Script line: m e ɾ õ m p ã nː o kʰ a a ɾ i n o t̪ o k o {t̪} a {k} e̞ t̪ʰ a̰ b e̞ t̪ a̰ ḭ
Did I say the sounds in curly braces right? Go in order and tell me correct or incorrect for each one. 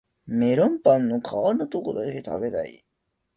incorrect, correct

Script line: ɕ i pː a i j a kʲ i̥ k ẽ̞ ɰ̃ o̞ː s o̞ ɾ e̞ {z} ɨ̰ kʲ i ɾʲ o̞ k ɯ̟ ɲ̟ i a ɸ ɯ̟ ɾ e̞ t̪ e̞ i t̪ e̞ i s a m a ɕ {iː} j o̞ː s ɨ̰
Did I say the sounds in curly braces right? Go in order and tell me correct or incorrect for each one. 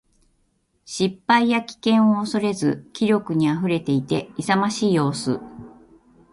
correct, correct

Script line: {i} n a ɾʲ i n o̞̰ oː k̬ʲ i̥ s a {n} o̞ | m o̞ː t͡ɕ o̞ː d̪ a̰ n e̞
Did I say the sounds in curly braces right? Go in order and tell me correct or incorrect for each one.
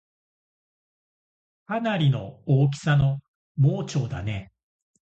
incorrect, correct

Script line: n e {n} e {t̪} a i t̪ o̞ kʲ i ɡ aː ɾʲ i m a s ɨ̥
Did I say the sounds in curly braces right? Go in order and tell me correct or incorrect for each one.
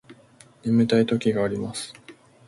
incorrect, correct

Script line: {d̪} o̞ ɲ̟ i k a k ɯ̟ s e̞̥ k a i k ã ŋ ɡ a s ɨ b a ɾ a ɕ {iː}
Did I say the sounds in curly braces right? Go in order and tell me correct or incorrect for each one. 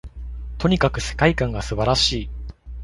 incorrect, correct

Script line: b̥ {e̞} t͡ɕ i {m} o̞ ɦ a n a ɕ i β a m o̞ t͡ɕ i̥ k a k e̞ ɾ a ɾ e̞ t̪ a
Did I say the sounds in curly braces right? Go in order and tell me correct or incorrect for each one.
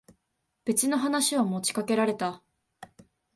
correct, incorrect

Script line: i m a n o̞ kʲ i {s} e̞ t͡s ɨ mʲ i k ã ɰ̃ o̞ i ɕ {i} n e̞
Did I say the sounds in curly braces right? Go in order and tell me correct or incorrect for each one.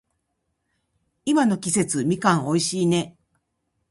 correct, incorrect

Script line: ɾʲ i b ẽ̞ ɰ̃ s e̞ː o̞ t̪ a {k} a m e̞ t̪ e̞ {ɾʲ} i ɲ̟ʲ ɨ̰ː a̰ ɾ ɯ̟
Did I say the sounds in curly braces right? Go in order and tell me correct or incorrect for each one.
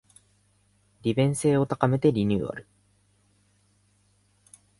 correct, correct

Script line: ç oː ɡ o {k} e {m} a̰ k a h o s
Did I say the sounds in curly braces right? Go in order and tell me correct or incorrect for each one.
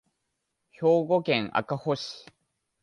correct, incorrect

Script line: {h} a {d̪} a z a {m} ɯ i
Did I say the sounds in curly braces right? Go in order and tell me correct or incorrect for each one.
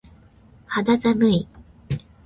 correct, correct, correct

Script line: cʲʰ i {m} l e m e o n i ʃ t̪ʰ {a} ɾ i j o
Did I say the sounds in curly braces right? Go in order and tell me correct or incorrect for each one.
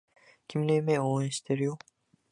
correct, incorrect

